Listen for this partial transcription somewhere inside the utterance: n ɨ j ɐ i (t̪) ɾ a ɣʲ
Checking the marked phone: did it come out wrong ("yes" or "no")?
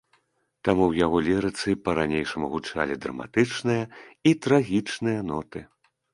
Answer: no